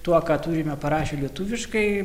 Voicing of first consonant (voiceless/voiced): voiceless